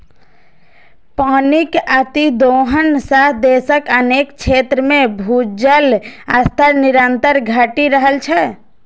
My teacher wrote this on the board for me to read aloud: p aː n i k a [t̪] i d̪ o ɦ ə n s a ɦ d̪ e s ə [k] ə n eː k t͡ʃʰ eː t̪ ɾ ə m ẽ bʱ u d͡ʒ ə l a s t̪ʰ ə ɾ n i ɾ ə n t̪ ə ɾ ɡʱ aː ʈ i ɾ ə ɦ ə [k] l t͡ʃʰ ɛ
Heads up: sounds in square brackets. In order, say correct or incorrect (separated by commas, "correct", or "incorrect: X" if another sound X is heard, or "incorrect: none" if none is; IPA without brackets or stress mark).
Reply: correct, correct, incorrect: none